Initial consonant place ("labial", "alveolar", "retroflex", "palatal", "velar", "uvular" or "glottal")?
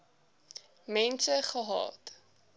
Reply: labial